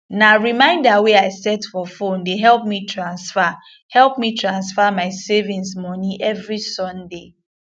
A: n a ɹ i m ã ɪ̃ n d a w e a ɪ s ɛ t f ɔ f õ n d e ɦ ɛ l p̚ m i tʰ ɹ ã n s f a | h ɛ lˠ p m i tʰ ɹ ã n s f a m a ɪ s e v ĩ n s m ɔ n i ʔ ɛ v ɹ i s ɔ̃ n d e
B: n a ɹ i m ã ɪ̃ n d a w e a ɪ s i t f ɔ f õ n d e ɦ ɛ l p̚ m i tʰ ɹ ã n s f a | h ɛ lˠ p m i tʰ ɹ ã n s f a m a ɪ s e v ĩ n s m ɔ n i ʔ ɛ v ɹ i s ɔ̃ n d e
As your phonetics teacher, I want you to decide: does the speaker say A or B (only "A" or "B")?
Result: A